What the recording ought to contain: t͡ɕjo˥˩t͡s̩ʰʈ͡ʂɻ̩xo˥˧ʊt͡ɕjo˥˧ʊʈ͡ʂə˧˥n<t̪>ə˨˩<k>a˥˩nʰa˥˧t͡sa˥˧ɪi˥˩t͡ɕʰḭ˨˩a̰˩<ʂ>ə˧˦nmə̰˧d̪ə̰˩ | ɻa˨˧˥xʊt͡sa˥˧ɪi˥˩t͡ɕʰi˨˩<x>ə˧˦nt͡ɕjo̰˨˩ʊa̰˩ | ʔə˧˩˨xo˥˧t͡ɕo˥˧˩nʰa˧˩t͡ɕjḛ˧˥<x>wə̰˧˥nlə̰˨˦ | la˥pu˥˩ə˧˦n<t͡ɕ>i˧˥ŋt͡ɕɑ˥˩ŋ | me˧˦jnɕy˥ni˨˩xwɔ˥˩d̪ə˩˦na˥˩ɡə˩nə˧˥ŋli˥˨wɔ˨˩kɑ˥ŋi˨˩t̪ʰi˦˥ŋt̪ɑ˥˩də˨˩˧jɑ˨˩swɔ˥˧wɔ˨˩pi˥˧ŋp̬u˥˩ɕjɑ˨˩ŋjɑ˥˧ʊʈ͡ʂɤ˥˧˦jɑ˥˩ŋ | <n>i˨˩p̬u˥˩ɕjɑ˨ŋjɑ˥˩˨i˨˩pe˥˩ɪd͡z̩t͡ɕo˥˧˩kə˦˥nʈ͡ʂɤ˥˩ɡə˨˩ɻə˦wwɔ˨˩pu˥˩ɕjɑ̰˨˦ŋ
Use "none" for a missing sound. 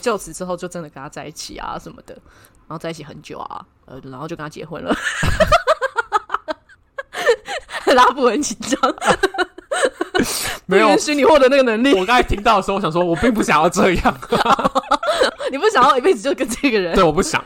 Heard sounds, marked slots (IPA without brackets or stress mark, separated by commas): d̪, k, ʂ, x, x, t͡ɕʰ, n